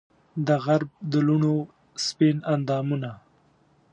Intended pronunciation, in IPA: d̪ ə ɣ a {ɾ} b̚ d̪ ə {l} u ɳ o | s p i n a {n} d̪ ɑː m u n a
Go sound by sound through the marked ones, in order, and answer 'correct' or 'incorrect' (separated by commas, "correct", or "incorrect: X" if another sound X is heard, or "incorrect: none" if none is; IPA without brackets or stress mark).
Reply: correct, correct, correct